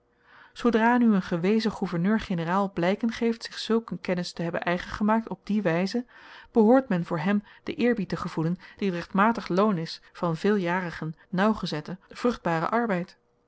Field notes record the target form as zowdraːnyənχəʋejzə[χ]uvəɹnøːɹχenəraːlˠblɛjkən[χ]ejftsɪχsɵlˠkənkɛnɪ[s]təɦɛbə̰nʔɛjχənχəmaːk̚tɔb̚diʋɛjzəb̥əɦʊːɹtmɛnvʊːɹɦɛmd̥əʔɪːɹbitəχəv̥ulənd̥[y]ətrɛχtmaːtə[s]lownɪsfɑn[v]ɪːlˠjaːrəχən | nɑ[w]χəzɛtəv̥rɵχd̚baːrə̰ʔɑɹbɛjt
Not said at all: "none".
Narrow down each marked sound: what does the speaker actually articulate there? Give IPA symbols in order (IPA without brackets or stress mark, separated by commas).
χ, χ, s, i, χ, v, w